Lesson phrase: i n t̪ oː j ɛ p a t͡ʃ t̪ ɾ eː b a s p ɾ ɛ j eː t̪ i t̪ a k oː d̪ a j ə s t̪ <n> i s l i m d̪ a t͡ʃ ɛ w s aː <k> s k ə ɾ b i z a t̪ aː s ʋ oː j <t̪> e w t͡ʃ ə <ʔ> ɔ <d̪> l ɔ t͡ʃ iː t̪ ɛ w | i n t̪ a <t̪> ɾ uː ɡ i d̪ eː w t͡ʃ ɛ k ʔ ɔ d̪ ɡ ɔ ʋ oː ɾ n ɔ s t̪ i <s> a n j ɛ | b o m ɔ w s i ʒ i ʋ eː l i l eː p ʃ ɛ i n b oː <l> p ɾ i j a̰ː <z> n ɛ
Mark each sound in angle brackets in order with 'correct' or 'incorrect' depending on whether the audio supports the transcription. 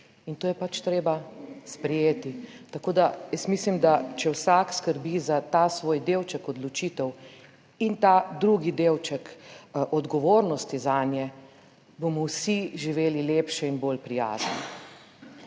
incorrect: m, correct, incorrect: d̪, incorrect: k, correct, incorrect: d̪, incorrect: z, correct, correct

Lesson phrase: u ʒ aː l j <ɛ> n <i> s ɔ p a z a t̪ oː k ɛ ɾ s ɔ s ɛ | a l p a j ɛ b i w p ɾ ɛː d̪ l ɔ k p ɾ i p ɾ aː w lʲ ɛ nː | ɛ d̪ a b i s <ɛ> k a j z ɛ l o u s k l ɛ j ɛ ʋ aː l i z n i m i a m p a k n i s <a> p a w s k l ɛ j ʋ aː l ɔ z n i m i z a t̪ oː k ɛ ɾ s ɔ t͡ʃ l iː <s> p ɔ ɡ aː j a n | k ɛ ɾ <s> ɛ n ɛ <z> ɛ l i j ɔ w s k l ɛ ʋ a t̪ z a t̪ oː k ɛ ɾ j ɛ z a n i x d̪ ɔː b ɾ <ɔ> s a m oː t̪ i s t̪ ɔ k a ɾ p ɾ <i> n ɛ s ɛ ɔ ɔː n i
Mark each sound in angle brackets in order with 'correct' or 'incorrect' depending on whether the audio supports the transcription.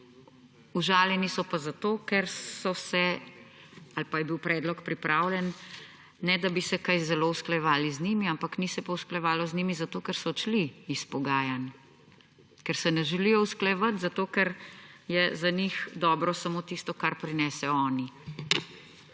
correct, correct, correct, incorrect: ɛ, correct, correct, incorrect: ʒ, correct, correct

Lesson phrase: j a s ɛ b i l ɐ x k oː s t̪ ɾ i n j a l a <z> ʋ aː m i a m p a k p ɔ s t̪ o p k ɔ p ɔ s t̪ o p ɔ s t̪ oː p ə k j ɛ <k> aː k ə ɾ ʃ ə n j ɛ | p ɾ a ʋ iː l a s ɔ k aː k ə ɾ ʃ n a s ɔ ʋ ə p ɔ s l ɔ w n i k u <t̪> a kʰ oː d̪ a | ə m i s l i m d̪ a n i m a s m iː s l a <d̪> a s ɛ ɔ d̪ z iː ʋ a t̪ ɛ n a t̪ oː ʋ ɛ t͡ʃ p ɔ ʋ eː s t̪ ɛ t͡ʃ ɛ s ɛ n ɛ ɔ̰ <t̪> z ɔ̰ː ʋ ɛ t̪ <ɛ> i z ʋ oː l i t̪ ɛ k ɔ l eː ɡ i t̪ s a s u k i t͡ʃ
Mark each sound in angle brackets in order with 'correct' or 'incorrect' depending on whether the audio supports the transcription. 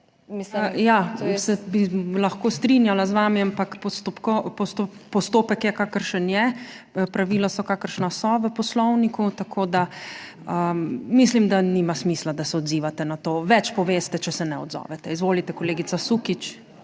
correct, correct, correct, correct, incorrect: d̪, correct

